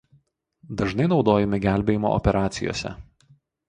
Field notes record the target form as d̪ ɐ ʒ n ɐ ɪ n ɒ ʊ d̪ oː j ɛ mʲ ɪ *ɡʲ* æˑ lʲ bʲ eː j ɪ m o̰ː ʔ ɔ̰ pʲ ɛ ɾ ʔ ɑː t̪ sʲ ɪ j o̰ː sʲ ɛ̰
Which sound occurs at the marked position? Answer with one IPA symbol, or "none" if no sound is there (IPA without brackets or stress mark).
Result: ɡʲ